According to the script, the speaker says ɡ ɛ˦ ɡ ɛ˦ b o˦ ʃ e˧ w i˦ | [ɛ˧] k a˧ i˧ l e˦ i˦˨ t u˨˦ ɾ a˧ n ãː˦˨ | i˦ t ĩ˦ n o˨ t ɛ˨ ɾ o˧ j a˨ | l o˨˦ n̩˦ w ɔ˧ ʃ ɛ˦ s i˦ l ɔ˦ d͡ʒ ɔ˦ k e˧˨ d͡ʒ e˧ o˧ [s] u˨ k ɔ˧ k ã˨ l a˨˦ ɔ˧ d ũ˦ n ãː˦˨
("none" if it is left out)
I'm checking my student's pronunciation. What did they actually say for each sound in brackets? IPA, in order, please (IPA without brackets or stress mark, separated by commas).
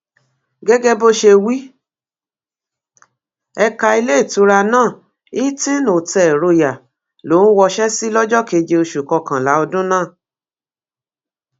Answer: ɛ˧, ʃ